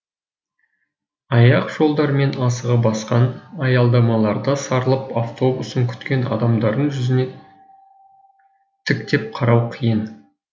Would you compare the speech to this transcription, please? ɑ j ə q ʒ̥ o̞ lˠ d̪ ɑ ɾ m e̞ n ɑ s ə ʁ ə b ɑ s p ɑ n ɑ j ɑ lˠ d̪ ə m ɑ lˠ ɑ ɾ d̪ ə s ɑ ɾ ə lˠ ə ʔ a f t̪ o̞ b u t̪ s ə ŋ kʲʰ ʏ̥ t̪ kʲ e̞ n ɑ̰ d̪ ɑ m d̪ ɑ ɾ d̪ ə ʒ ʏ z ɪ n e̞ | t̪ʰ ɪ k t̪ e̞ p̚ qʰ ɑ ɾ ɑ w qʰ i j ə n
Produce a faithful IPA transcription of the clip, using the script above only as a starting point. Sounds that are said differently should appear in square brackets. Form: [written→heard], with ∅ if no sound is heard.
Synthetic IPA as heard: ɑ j [ə→ɑ] q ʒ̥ o̞ lˠ d̪ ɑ ɾ m e̞ n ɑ s ə ʁ ə b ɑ s [p→q] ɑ n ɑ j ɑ lˠ d̪ [ə→ɑ] m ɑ lˠ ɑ ɾ d̪ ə s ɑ ɾ ə lˠ ə [ʔ→p] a f t̪ o̞ b u [t̪→∅] s ə ŋ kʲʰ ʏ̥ t̪ kʲ e̞ n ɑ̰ d̪ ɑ m d̪ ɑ ɾ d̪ ə ʒ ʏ z ɪ n e̞ | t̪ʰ ɪ k t̪ e̞ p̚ qʰ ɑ ɾ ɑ w qʰ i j ə n

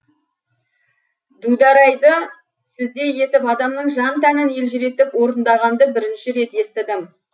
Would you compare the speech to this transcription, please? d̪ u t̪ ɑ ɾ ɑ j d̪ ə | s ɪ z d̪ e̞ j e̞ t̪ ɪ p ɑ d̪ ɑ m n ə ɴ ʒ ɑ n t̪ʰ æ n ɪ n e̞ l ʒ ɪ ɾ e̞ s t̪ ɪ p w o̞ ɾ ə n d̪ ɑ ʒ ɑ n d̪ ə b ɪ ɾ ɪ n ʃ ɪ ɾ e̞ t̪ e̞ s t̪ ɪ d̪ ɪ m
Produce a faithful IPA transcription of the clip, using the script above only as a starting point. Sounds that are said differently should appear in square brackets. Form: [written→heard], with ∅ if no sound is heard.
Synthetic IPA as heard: d̪ u [t̪→d̪] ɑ ɾ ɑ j d̪ ə | s ɪ z d̪ e̞ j e̞ t̪ ɪ p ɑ d̪ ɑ m n ə ɴ ʒ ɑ n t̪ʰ æ n ɪ n e̞ l ʒ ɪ ɾ e̞ [s→∅] t̪ ɪ p w o̞ ɾ ə n d̪ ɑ [ʒ→ʁ] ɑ n d̪ ə b ɪ ɾ ɪ n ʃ ɪ ɾ e̞ t̪ e̞ s t̪ ɪ d̪ ɪ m

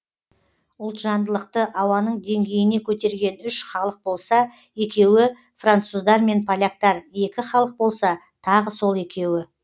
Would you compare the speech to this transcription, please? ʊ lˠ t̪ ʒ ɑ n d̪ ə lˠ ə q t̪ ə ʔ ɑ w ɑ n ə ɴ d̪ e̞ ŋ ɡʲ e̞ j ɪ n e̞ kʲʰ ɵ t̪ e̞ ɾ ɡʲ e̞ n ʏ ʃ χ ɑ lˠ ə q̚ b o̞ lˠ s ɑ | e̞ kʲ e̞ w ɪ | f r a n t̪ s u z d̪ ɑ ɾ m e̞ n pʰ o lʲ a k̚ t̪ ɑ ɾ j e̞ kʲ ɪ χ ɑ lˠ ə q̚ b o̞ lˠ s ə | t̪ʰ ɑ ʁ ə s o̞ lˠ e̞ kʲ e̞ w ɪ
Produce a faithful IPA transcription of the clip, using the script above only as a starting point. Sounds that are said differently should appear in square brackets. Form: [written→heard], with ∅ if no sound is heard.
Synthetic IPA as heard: ʊ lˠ t̪ ʒ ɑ n d̪ ə lˠ ə q t̪ ə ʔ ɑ w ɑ n ə ɴ d̪ e̞ ŋ ɡʲ e̞ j ɪ n e̞ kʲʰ ɵ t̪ e̞ ɾ ɡʲ e̞ n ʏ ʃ χ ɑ lˠ ə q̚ b o̞ lˠ s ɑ | e̞ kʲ e̞ w ɪ | f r a n t̪ s u z d̪ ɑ ɾ m e̞ n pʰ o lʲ a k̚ t̪ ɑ ɾ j e̞ kʲ ɪ χ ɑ lˠ ə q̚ b o̞ lˠ s [ə→ɑ] | t̪ʰ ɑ ʁ ə s o̞ lˠ e̞ kʲ e̞ w ɪ

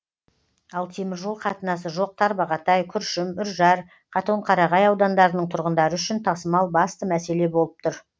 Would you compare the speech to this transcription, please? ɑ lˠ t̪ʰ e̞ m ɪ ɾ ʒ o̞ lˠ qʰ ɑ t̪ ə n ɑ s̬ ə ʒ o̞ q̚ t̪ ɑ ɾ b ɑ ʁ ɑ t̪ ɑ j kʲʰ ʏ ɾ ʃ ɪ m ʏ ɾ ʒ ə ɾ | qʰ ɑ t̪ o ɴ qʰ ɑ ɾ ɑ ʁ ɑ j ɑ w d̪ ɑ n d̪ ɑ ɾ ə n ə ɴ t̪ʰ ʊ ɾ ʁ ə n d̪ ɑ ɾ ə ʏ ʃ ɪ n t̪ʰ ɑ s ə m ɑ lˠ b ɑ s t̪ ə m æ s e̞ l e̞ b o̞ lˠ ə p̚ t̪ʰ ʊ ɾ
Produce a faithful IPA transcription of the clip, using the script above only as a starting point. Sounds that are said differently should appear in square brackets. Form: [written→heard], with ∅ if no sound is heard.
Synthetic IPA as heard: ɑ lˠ t̪ʰ e̞ m ɪ ɾ ʒ o̞ lˠ qʰ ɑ t̪ ə n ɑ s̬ ə ʒ o̞ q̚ [t̪→t̪ʰ] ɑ ɾ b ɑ ʁ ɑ t̪ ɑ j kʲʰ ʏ ɾ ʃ ɪ m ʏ ɾ ʒ [ə→ɑ] ɾ | qʰ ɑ t̪ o ɴ qʰ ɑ ɾ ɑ ʁ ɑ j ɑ w d̪ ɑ n d̪ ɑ ɾ ə n ə ɴ t̪ʰ ʊ ɾ ʁ ə n d̪ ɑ ɾ ə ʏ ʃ ɪ n t̪ʰ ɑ s ə m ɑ lˠ b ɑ s t̪ ə m æ s e̞ l e̞ b o̞ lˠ ə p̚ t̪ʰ ʊ ɾ

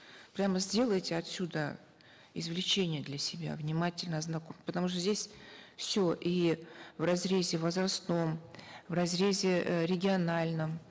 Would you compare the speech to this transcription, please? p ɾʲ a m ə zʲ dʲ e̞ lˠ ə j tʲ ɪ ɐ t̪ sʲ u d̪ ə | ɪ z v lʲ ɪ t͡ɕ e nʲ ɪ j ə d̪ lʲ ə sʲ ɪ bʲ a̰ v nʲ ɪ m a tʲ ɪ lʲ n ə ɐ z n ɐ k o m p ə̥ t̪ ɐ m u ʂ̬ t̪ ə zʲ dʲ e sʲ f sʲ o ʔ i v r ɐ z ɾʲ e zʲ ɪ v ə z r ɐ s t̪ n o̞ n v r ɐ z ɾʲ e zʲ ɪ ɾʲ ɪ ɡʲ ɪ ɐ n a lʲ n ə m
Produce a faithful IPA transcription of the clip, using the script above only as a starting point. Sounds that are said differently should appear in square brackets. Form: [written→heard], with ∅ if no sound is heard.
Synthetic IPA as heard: p ɾʲ a m ə zʲ dʲ e̞ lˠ ə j tʲ ɪ ɐ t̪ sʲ u d̪ ə | ɪ z v lʲ ɪ t͡ɕ e nʲ ɪ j ə d̪ lʲ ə sʲ ɪ bʲ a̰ v nʲ ɪ m a tʲ ɪ lʲ n ə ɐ z n ɐ k o m p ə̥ t̪ ɐ m u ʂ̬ t̪ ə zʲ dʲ e sʲ f sʲ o ʔ i v r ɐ z ɾʲ e zʲ ɪ v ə z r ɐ s t̪ n o̞ [n→m] v r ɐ z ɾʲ e zʲ ɪ ɾʲ ɪ ɡʲ ɪ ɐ n a lʲ n ə m

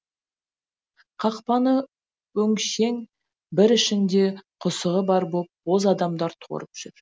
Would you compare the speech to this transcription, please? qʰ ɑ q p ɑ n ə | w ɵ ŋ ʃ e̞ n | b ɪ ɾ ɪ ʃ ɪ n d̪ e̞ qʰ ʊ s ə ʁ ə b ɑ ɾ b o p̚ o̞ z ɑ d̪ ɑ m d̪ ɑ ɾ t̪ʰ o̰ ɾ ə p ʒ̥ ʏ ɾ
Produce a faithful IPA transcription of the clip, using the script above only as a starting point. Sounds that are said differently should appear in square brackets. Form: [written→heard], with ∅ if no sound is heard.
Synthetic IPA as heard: qʰ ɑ q p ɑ n ə | w ɵ ŋ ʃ e̞ [n→ŋ] | b ɪ ɾ ɪ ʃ ɪ n d̪ e̞ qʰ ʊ s ə ʁ ə b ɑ ɾ b o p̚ o̞ z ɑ d̪ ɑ m d̪ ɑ ɾ t̪ʰ o̰ ɾ ə p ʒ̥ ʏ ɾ

